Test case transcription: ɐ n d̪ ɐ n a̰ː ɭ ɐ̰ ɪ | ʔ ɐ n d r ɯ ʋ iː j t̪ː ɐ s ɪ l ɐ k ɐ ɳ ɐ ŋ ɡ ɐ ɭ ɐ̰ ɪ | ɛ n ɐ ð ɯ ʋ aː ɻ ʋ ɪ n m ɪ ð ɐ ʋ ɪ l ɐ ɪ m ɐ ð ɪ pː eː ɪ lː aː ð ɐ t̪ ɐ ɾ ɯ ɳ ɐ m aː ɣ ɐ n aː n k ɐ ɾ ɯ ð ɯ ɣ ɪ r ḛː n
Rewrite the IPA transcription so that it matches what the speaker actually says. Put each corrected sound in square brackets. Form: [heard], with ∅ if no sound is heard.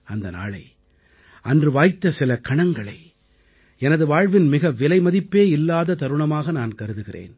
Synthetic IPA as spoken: ɐ n d̪ ɐ n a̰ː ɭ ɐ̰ ɪ | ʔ ɐ n d r ɯ ʋ [aː] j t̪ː ɐ s ɪ l ɐ k ɐ ɳ ɐ ŋ ɡ ɐ ɭ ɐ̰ ɪ | ɛ n ɐ ð ɯ ʋ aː ɻ ʋ ɪ n m ɪ [ɣ] ɐ ʋ ɪ l ɐ ɪ m ɐ ð ɪ pː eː ɪ lː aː ð ɐ t̪ ɐ ɾ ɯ ɳ ɐ m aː ɣ ɐ n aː n k ɐ ɾ ɯ ð ɯ ɣ ɪ r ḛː n